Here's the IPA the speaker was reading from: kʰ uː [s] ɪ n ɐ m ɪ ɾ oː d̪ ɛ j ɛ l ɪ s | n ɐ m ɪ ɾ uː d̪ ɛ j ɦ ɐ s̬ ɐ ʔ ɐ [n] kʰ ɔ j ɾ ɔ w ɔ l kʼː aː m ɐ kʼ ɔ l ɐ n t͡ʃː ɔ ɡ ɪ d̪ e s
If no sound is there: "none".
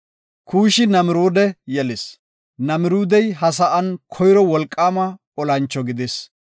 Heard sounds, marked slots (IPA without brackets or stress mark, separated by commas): ʃ, n